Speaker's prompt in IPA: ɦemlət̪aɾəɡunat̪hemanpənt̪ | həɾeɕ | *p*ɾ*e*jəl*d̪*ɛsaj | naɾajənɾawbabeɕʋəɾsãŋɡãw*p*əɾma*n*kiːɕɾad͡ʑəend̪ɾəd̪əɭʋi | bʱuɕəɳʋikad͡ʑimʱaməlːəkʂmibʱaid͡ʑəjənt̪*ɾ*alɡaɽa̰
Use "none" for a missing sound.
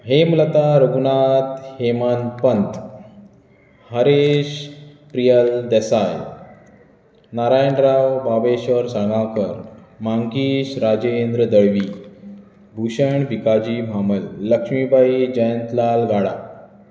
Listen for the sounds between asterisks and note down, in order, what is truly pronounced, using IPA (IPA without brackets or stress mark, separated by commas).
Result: p, i, d̪, k, ŋ, l